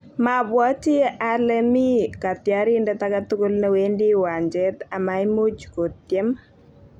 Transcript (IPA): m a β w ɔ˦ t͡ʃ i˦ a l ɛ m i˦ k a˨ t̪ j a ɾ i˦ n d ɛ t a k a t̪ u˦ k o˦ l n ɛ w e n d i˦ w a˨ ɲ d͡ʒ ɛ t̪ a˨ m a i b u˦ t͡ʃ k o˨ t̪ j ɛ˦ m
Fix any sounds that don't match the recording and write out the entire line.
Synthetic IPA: m a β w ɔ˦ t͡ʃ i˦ a l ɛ m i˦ k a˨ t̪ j a ɾ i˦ n d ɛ t a k a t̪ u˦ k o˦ l n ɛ w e n d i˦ w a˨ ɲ d͡ʒ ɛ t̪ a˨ m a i m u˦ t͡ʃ k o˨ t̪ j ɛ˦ m